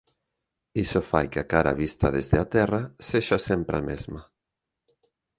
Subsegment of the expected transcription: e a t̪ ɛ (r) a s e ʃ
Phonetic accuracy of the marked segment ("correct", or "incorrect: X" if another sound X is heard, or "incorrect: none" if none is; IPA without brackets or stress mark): correct